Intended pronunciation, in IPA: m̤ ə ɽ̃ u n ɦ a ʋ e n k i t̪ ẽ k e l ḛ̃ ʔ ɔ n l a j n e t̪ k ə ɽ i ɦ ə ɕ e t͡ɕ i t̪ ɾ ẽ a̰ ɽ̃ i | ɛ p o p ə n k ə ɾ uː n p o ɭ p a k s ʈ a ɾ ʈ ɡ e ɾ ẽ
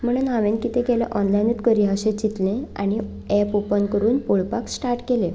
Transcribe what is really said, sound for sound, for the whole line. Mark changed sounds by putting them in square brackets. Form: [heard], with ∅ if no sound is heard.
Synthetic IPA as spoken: m̤ ə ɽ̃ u n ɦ a ʋ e n k i t̪ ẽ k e l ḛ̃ ʔ ɔ n l a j n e t̪ k ə [ɾ] i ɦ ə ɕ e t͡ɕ i t̪ [l] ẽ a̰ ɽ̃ i | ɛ p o p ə n k ə ɾ uː n p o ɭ p a k s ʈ a ɾ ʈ [k] e [l] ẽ